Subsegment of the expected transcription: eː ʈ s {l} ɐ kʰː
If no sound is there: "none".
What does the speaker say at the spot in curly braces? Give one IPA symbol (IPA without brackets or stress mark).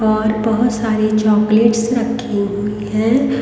ɾ